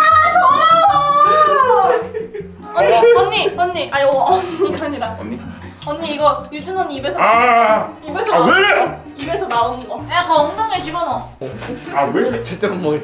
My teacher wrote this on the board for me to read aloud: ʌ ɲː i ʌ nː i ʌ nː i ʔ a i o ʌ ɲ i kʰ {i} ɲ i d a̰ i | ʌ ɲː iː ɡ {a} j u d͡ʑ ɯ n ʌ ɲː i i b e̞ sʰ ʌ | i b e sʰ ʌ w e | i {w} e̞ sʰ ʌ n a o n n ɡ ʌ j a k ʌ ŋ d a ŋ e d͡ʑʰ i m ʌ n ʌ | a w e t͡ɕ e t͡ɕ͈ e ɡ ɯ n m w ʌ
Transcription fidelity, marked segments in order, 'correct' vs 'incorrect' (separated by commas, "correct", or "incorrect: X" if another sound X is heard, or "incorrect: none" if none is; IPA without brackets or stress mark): incorrect: a, incorrect: ʌ, incorrect: b